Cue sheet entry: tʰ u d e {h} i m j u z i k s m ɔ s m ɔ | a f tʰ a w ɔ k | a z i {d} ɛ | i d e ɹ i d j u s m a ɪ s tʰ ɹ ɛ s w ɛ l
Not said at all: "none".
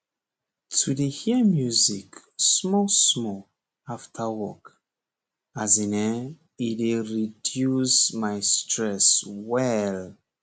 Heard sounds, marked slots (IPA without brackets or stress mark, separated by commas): h, n